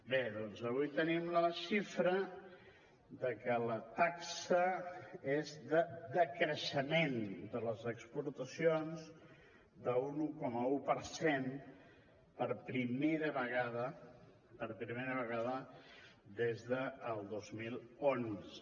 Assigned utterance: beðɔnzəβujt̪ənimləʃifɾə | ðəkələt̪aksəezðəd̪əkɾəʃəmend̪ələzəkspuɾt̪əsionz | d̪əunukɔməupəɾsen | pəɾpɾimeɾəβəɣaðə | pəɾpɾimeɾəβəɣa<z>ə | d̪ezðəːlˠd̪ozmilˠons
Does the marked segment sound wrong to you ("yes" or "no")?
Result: yes